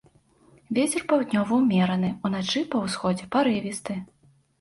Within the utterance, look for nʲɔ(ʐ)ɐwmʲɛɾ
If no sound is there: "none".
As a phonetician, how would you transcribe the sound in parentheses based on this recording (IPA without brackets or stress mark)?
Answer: v